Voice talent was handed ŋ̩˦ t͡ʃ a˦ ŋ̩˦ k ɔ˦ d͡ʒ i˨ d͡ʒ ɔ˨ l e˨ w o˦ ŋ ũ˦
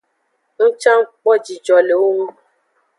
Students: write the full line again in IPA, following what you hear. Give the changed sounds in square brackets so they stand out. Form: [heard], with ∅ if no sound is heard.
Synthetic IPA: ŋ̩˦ t͡ʃ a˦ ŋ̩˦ [k͡p] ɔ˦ d͡ʒ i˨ d͡ʒ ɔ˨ l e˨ w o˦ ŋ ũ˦

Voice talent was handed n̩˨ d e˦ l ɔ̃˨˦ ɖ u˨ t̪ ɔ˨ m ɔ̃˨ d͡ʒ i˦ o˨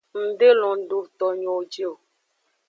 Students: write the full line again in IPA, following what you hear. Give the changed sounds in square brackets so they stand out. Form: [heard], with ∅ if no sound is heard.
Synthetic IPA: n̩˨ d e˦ l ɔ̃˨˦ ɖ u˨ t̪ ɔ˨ [ɲ] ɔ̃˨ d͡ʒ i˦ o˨

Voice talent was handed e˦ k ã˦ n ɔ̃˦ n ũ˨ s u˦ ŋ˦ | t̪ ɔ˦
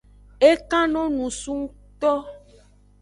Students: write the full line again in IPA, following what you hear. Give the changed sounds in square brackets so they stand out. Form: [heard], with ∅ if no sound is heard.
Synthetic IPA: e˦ k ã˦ n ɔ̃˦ n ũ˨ s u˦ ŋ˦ | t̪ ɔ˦

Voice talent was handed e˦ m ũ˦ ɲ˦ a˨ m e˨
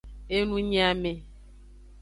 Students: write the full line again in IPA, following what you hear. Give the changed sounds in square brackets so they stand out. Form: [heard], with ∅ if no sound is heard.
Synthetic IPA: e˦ [n] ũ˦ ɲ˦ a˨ m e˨

